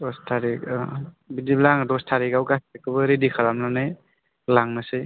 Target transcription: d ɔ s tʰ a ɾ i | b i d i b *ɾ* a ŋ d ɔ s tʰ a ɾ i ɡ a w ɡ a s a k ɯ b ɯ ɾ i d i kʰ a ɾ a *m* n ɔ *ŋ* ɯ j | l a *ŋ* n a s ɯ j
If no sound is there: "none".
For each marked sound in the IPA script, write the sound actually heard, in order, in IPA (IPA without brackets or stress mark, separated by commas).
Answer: l, m, n, ŋ